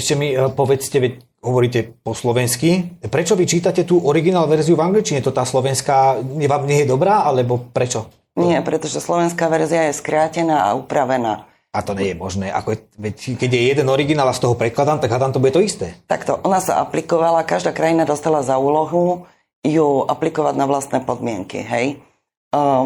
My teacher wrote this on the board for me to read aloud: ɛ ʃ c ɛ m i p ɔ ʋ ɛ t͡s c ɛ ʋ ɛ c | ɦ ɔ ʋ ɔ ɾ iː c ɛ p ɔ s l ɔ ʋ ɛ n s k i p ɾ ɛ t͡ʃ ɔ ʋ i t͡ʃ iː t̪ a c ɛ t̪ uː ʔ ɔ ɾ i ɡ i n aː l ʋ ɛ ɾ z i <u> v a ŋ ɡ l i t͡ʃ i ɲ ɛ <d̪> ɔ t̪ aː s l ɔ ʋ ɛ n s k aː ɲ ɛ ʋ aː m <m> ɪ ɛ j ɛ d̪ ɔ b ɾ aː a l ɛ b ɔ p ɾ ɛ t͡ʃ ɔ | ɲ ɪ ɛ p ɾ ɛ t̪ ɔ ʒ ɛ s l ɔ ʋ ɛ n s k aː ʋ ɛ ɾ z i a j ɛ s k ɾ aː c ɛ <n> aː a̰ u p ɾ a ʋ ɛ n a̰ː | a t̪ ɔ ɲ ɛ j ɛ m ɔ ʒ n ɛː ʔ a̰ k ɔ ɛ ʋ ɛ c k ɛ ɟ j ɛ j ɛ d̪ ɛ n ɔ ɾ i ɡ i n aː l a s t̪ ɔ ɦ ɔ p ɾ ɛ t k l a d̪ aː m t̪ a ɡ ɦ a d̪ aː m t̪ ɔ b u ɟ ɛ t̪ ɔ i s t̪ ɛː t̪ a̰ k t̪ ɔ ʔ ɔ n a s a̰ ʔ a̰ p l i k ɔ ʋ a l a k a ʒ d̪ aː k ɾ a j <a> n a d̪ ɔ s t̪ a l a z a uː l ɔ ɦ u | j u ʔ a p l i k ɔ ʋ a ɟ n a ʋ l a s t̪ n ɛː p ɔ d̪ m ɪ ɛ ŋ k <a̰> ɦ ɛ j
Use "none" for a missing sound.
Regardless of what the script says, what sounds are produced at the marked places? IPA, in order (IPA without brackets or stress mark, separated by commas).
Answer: u, t̪, ɲ, n, i, ḭ